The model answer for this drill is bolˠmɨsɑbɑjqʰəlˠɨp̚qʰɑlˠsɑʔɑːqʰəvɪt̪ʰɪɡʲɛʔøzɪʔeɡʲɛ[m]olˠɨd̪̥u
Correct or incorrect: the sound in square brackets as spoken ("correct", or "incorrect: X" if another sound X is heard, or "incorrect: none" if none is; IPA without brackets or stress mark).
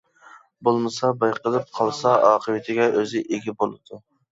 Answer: incorrect: b